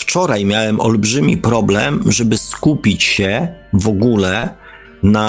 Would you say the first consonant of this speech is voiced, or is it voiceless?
voiceless